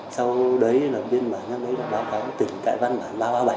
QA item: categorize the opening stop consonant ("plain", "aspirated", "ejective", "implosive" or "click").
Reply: implosive